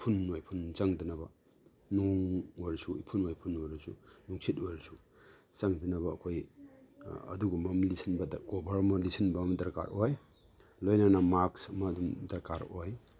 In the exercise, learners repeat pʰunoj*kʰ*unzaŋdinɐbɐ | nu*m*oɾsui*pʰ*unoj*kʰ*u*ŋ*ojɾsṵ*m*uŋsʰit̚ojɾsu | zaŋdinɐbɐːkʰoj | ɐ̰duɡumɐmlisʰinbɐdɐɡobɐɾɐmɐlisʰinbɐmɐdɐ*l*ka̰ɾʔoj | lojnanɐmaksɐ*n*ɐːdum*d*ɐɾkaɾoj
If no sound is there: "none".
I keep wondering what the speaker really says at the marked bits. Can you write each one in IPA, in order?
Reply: pʰ, ŋ, pʰ, pʰ, n, n, ɾ, m, d

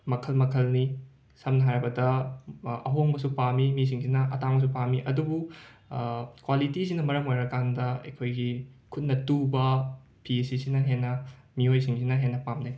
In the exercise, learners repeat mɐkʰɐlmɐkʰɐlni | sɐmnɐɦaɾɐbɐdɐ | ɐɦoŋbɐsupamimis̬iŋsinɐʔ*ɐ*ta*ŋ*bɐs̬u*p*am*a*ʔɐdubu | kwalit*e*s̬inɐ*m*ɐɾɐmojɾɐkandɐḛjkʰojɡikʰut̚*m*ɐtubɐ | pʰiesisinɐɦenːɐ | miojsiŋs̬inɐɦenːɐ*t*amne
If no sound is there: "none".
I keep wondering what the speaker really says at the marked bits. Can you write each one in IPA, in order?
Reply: ɐ, ŋ, p, i, i, m, n, p

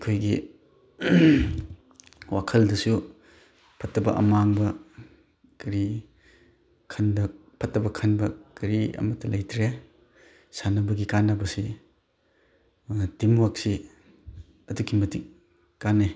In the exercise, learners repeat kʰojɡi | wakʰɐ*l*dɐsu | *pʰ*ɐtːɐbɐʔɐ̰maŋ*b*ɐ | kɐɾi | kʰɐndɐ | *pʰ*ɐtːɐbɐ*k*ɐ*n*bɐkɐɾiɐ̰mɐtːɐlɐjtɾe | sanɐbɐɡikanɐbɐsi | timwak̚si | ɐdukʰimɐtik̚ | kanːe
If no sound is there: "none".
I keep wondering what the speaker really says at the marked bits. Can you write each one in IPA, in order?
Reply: l, pʰ, b, pʰ, kʰ, n

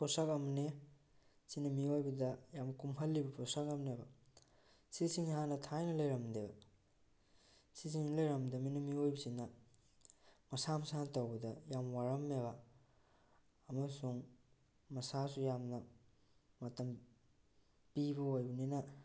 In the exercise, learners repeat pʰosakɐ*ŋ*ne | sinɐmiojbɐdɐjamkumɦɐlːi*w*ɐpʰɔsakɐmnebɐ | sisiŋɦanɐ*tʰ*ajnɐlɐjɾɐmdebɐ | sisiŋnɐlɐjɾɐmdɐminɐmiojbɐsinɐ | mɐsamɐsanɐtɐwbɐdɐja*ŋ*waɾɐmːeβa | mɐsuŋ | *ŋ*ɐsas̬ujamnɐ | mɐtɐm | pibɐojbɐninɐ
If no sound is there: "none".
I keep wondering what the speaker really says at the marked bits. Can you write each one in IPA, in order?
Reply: m, b, tʰ, m, m

